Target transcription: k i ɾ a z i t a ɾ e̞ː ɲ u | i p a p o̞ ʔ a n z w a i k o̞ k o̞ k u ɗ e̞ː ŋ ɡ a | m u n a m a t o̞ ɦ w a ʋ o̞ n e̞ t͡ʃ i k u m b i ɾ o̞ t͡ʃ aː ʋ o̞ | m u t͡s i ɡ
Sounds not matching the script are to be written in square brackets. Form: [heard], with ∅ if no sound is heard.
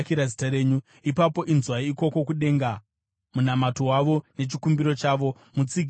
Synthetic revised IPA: k i ɾ a z i t a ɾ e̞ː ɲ u | i p a p o̞ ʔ [i] n z w a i k o̞ k o̞ k u ɗ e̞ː ŋ ɡ a | m u n a m a t o̞ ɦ w a ʋ o̞ n e̞ t͡ʃ i k u m b i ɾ o̞ t͡ʃ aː ʋ o̞ | m u t͡s i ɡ